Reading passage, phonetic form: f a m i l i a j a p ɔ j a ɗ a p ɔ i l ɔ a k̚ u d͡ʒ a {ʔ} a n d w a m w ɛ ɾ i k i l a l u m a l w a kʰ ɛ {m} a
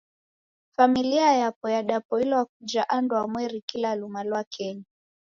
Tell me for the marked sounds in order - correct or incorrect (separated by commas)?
correct, incorrect